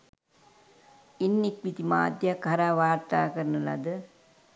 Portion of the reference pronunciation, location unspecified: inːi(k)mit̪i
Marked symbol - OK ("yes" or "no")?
yes